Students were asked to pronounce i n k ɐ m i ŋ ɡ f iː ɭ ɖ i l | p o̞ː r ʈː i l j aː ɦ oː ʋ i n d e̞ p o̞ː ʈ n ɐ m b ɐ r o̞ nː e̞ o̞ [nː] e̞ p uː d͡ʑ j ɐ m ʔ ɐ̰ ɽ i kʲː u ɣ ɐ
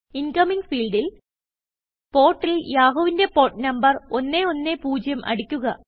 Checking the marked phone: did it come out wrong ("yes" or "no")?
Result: no